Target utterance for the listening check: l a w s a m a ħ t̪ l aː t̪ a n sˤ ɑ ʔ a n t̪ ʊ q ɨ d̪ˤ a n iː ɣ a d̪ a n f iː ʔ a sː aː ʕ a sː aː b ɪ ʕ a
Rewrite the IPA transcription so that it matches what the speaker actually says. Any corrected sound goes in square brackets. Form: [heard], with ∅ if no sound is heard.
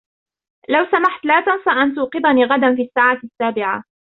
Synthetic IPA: l a w s a m a ħ t̪ l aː t̪ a n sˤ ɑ ʔ a n t̪ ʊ q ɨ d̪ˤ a n iː ɣ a d̪ a n f iː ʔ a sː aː ʕ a sː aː b ɪ ʕ a